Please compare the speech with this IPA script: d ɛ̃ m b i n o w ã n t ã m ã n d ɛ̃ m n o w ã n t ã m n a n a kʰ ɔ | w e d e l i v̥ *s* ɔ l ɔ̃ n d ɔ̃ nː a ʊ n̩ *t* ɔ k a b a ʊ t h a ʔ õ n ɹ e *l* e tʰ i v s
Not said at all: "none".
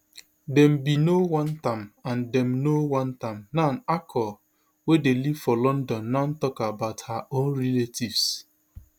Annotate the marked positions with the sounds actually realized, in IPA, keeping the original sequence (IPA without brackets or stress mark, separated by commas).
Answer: f, t, l